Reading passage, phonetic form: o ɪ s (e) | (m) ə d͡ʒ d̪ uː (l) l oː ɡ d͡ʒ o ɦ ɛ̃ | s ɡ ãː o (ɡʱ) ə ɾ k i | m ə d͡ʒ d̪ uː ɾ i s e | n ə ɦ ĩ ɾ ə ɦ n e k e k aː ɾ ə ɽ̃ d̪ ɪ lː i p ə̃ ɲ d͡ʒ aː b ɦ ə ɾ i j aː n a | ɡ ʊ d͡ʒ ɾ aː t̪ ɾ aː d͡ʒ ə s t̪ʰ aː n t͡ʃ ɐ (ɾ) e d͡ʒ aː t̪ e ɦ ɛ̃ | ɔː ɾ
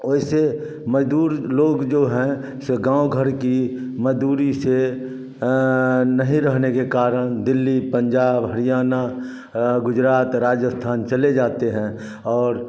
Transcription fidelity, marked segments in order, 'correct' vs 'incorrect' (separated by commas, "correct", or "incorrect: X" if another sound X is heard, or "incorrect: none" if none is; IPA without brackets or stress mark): correct, correct, incorrect: ɾ, correct, incorrect: l